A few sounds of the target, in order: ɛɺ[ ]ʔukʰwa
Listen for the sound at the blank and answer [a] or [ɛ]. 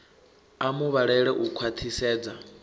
ɛ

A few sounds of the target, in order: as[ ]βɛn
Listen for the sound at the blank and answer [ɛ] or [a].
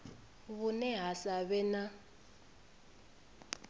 a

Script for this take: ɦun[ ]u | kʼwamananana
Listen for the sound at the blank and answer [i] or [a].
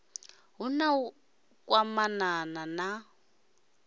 a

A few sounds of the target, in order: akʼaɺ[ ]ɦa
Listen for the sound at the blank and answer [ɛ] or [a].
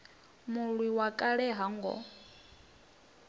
ɛ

